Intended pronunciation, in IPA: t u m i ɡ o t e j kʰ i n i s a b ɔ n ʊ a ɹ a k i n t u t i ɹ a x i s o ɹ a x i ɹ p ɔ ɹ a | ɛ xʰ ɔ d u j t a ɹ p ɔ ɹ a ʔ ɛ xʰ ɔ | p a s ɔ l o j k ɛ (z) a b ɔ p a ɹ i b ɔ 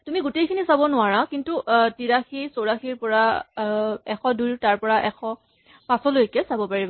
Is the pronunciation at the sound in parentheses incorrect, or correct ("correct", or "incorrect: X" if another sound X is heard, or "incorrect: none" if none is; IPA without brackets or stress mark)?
incorrect: s